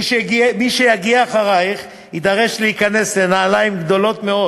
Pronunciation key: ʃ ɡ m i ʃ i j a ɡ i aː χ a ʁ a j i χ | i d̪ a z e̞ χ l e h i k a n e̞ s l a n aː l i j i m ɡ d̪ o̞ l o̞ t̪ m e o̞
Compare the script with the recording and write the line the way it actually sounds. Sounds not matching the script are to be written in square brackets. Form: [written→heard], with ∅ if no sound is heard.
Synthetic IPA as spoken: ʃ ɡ m i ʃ [i→e] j a ɡ i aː χ a ʁ a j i χ | i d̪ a [z→ʁ] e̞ [χ→ʃ] l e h i k a n e̞ s l [a→e] n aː l [i→a] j i m ɡ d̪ o̞ l o̞ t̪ m e o̞

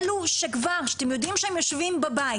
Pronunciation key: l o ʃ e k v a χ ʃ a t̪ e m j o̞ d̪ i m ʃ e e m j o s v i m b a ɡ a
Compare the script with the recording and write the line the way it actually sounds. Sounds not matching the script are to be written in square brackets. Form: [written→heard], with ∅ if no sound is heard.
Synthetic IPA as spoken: l [o→u] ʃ e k v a [χ→ʁ] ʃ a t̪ e m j o̞ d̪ i m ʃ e e m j o [s→ʃ] v i m b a [ɡ→b] a

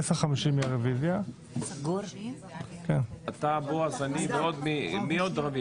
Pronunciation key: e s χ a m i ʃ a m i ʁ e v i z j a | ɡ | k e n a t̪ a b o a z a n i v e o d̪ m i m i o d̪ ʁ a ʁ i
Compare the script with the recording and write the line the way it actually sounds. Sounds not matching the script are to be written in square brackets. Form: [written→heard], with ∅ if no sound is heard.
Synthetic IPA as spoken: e s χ a m i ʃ [a→i] m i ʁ e v i z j a | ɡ | k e n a t̪ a b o a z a n i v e o d̪ m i m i o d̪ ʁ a [ʁ→v] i

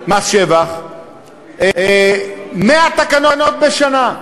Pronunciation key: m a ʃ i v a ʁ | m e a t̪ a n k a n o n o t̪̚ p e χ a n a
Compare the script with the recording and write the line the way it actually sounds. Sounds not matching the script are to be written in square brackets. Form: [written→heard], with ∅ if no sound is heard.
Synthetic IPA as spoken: m a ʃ [i→e] v a [ʁ→χ] | m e a t̪ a [n→∅] k a n o n o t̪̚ [p→b] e [χ→ʃ] a n a

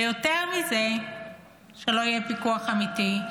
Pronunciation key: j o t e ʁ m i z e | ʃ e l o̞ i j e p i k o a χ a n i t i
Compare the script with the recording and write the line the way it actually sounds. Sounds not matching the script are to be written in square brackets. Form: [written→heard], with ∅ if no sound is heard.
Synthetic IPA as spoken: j o t e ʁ m i z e | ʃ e l o̞ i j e p i k [o→u] a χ a [n→m] i t i

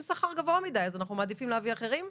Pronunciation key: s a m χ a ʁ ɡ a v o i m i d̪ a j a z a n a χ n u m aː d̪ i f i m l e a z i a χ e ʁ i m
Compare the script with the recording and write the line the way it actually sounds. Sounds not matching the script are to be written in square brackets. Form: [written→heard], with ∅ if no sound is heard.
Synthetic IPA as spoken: s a [m→∅] χ a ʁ ɡ a v o [i→a] m i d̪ a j a z a n a χ n u m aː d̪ i f i m l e a [z→v] i a χ e ʁ i m

